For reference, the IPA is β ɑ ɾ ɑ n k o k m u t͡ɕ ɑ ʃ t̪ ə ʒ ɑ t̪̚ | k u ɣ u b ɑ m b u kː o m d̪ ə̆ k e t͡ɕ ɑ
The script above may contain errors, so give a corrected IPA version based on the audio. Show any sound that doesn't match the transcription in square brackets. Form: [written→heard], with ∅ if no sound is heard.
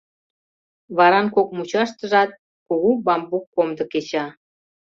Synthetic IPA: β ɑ ɾ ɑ n k o k m u t͡ɕ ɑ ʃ t̪ ə ʒ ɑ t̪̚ | k u ɣ u b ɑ m b u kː o m d̪ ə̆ k e t͡ɕ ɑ